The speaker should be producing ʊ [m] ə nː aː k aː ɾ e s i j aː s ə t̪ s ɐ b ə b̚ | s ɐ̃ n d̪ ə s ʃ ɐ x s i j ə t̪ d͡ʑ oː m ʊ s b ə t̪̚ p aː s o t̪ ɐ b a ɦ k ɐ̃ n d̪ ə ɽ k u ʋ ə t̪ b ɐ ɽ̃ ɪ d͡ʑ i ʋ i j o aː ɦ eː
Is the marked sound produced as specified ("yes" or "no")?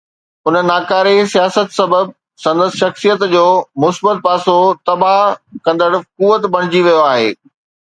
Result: no